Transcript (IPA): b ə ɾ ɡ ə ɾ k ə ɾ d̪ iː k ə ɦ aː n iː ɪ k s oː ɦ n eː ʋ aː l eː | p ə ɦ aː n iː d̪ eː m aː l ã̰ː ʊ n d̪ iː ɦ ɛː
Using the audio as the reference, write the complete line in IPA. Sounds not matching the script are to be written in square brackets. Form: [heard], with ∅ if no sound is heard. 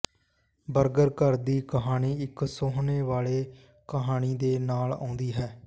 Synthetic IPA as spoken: b ə ɾ ɡ ə ɾ k ə ɾ d̪ iː k ə ɦ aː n iː ɪ k s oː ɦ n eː ʋ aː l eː | [k] ə ɦ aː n iː d̪ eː [n] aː l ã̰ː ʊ n d̪ iː ɦ ɛː

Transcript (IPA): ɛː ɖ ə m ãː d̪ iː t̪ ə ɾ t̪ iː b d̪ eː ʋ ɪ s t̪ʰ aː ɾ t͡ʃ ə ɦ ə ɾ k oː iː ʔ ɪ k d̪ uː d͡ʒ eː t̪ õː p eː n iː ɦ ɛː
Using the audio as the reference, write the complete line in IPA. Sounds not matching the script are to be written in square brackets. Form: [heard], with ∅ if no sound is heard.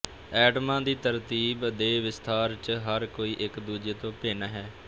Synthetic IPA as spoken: ɛː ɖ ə m ãː d̪ iː t̪ ə ɾ t̪ iː b d̪ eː ʋ ɪ s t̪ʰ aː ɾ t͡ʃ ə ɦ ə ɾ k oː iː ʔ ɪ k d̪ uː d͡ʒ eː t̪ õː p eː n [aː] ɦ ɛː

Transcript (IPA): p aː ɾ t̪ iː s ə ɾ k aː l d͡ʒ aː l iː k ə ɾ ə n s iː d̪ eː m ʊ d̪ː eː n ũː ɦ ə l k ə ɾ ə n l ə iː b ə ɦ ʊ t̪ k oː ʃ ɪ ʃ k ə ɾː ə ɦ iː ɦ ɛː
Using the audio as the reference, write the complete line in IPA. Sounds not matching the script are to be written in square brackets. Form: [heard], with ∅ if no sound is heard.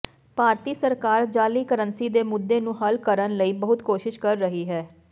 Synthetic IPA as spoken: p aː ɾ t̪ iː s ə ɾ k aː [ɾ] d͡ʒ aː l iː k ə ɾ ə n s iː d̪ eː m ʊ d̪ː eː n ũː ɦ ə l k ə ɾ ə n l ə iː b ə ɦ ʊ t̪ k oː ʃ ɪ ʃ k ə ɾː ə ɦ iː ɦ ɛː

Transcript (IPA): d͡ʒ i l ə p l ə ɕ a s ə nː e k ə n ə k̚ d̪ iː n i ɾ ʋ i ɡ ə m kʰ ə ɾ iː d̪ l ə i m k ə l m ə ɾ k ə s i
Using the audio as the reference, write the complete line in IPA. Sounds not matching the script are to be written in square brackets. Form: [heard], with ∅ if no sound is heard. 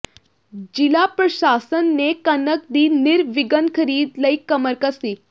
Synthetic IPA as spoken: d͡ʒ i l [a] p [ɾ] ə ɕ a s ə nː e k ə n ə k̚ d̪ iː n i ɾ ʋ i ɡ ə [n] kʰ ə ɾ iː d̪ l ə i [∅] k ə [∅] m ə ɾ k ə s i

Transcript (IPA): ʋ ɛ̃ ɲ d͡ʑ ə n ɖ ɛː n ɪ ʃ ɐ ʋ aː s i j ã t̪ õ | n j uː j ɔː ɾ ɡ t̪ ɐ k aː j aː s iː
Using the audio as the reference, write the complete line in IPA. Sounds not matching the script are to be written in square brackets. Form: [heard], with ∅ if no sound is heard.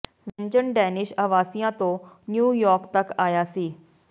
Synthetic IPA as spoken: ʋ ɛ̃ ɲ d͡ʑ ə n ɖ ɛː n ɪ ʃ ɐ ʋ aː s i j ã t̪ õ | n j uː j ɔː ɾ [k] t̪ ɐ k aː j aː s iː

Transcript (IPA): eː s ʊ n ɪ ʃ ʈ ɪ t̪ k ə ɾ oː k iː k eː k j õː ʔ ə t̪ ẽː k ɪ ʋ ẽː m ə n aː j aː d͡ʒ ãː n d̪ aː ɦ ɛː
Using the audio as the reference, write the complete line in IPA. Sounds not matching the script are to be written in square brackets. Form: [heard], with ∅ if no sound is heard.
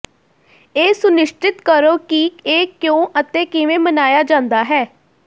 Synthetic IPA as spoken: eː s ʊ n ɪ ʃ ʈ ɪ t̪ k ə ɾ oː k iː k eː k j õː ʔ ə t̪ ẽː k ɪ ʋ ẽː m ə n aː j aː d͡ʒ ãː n d̪ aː ɦ ɛː

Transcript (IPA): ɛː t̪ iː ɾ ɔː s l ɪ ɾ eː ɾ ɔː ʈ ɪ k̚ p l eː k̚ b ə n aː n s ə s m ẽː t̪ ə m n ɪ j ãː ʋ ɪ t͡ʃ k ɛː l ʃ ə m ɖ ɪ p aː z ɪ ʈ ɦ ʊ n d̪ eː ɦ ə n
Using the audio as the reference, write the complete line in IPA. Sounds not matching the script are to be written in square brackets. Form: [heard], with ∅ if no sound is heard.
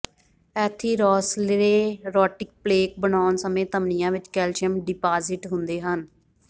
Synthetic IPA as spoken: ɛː [t̪ʰ] iː ɾ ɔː s l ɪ ɾ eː ɾ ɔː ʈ ɪ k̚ p l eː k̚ b ə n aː n s ə [∅] m ẽː t̪ ə m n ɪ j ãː ʋ ɪ t͡ʃ k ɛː l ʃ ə m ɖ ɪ p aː z ɪ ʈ ɦ ʊ n d̪ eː ɦ ə n

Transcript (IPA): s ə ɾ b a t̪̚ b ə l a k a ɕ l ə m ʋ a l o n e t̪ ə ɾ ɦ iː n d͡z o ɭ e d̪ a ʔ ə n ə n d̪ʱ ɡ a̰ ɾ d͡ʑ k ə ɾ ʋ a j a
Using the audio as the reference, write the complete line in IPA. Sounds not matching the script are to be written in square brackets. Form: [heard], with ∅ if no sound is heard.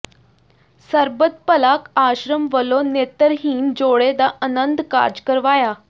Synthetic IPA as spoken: s ə ɾ b [ə] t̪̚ [p] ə l a k a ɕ [ɾ] ə m ʋ [ə] l o n e t̪ ə ɾ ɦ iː n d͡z o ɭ e d̪ a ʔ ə n ə n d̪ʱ [k] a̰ ɾ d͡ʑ k ə ɾ ʋ a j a

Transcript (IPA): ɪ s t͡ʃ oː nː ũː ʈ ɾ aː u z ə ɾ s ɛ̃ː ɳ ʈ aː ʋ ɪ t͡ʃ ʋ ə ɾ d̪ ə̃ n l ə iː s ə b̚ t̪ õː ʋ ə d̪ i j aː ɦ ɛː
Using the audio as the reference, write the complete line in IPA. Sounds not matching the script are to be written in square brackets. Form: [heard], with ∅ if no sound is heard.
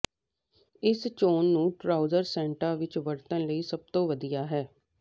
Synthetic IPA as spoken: ɪ s t͡ʃ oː nː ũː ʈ ɾ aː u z ə ɾ s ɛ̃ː ɳ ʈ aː ʋ ɪ t͡ʃ ʋ ə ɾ [t̪] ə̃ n l ə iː s ə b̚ t̪ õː ʋ ə d̪ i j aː ɦ ɛː

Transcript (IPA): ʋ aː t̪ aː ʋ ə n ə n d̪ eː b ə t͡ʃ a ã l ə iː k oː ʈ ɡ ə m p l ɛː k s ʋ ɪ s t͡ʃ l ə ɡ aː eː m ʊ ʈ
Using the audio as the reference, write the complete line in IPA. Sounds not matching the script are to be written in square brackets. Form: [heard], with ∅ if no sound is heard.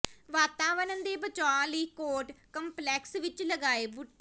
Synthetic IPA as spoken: ʋ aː t̪ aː ʋ ə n ə n d̪ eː b ə t͡ʃ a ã l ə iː k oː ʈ [k] ə m p l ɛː k s ʋ ɪ [∅] t͡ʃ l ə ɡ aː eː [b] ʊ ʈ

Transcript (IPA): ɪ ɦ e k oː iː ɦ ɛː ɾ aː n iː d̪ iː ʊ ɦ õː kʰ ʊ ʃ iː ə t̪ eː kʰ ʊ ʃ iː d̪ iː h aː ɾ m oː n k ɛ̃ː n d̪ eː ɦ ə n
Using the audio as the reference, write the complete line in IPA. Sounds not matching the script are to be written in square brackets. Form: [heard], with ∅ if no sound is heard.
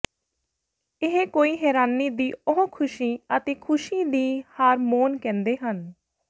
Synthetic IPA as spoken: ɪ ɦ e k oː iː ɦ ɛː ɾ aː n iː d̪ iː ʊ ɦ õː kʰ ʊ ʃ iː ə t̪ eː kʰ ʊ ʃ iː d̪ iː h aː ɾ m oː n k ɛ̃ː n d̪ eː ɦ ə n

